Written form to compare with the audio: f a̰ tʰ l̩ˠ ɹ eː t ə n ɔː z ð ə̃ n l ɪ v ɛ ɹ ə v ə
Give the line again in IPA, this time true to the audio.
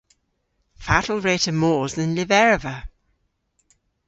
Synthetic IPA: f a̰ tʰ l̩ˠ ɹ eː t ə m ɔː z ð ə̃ n l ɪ v ɛ ɹ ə v ə